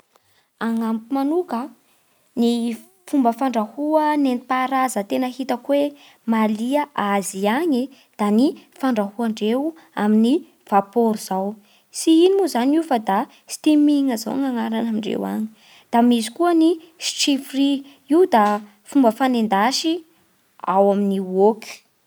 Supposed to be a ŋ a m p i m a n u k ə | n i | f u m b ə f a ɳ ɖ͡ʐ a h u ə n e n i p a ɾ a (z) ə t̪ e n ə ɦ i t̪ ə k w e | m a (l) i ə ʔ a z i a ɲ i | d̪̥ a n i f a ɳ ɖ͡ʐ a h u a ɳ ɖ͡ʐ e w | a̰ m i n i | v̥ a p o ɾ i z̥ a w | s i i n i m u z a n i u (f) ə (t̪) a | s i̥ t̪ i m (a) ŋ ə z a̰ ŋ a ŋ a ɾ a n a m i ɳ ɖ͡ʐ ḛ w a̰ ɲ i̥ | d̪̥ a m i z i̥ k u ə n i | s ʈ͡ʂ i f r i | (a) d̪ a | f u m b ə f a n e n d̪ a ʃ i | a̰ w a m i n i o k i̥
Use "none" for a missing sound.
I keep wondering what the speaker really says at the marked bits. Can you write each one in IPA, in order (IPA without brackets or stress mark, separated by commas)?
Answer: z, l, f, d̪, i, i